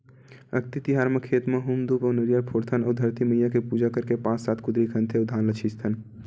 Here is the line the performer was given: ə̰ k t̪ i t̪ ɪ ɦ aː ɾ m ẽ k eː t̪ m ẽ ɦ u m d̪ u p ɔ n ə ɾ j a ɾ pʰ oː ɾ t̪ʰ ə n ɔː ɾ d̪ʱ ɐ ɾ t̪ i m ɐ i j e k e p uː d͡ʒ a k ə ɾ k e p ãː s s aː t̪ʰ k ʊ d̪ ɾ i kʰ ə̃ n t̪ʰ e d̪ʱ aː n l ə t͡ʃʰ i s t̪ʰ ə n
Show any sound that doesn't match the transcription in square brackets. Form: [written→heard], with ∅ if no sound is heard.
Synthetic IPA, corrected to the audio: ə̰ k t̪ i t̪ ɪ ɦ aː ɾ m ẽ [k→kʰ] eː t̪ m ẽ ɦ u m d̪ u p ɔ n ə ɾ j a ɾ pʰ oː ɾ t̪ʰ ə n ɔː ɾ d̪ʱ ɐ ɾ t̪ i m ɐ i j [e→a] k e p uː d͡ʒ a k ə ɾ k e p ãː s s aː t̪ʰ k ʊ d̪ ɾ i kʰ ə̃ n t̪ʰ e d̪ʱ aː n l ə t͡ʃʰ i s t̪ʰ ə n